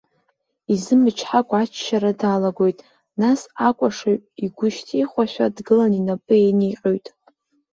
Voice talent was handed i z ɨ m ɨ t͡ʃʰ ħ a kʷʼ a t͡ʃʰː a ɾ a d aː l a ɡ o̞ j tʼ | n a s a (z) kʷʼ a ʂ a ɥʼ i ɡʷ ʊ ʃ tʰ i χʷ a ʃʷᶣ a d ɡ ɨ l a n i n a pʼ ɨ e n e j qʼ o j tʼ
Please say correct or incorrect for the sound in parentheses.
incorrect